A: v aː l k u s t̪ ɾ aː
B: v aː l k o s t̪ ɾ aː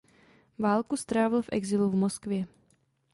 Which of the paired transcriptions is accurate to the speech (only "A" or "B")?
A